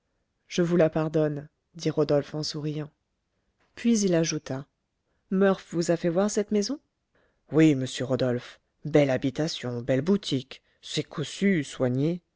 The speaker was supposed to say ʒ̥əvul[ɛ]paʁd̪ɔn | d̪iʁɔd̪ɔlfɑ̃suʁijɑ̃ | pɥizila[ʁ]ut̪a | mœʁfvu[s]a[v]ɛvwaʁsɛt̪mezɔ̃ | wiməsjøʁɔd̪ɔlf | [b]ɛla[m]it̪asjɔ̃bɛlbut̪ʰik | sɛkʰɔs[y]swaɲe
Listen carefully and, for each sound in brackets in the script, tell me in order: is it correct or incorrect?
incorrect: a, incorrect: ʒ, incorrect: z, incorrect: f, correct, incorrect: b, correct

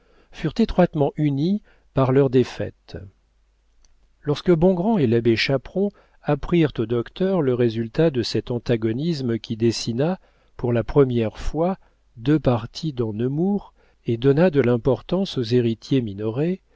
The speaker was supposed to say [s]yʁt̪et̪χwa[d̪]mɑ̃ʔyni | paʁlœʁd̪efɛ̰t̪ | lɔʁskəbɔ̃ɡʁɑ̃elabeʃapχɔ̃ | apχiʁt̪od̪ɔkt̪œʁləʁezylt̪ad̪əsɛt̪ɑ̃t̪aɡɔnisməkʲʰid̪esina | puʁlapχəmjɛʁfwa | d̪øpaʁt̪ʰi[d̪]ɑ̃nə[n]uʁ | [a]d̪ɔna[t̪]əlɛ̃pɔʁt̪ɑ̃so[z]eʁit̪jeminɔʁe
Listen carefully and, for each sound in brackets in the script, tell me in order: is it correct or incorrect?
incorrect: f, incorrect: t̪, correct, incorrect: m, incorrect: e, incorrect: d̪, correct

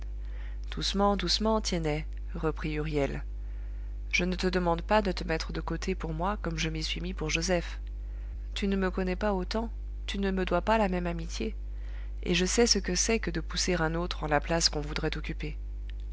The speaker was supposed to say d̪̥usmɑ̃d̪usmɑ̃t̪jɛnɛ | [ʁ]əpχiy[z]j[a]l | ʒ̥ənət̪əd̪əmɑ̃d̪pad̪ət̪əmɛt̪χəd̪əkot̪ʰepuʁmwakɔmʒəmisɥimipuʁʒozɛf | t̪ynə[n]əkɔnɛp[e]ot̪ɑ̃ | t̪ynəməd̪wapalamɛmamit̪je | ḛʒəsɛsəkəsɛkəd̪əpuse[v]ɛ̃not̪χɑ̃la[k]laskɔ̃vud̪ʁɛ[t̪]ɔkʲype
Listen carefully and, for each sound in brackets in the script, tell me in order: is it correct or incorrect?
correct, incorrect: ʁ, incorrect: ɛ, incorrect: m, incorrect: a, incorrect: ʁ, incorrect: p, correct

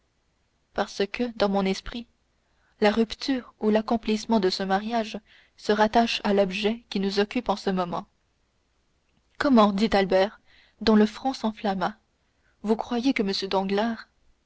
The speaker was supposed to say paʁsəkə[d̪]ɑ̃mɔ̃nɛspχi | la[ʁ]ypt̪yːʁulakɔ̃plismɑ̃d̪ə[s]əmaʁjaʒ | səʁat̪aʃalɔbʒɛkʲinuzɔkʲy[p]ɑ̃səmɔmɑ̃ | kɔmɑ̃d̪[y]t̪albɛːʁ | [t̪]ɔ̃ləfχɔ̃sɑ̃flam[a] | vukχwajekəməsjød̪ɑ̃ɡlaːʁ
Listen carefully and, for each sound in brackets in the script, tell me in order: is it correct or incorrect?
correct, correct, correct, correct, incorrect: i, incorrect: d̪, correct

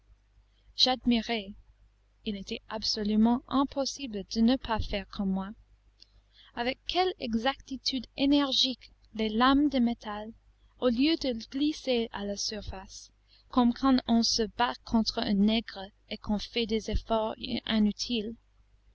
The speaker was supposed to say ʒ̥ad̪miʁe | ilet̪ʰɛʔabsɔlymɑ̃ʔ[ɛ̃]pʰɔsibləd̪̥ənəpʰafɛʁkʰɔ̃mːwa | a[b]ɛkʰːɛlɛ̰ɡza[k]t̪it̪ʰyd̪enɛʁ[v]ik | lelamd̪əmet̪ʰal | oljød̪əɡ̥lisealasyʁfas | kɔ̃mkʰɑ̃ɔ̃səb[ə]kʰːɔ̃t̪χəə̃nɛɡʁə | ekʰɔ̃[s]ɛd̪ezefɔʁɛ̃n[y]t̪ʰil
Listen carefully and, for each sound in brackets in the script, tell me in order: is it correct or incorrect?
correct, incorrect: v, correct, incorrect: ʒ, incorrect: a, incorrect: f, correct

